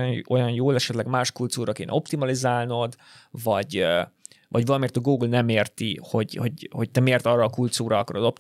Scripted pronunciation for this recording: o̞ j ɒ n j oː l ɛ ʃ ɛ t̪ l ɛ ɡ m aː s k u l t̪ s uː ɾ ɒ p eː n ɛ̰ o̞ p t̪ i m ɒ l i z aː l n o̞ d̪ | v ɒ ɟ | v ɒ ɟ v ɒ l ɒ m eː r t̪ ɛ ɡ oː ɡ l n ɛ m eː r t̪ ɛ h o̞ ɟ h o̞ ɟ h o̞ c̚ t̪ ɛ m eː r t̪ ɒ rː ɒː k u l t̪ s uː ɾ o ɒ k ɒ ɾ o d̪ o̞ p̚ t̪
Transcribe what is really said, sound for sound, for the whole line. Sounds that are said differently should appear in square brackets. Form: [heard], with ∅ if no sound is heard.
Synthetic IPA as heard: o̞ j ɒ n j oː l ɛ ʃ ɛ t̪ l ɛ ɡ m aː [ʃ] k u l t̪ s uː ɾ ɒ [k] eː n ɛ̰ o̞ p t̪ i m ɒ l i z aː l n o̞ d̪ | v ɒ ɟ | v ɒ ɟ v ɒ l ɒ m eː r t̪ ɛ ɡ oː ɡ l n ɛ m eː r t̪ [i] h o̞ ɟ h o̞ ɟ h o̞ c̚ t̪ ɛ m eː r t̪ ɒ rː ɒː k u l t̪ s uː ɾ [ɒ] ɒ k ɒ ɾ o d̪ o̞ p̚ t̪